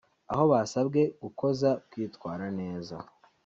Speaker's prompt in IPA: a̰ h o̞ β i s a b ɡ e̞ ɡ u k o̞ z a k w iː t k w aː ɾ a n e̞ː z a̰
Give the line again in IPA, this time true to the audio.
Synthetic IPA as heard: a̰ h o̞ β a s a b ɡ e̞ ɡ u k o̞ z a k w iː t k w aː ɾ a n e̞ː z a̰